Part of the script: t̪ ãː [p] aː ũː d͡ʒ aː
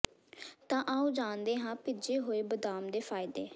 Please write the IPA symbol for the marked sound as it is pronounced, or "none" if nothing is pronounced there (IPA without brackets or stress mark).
ʔ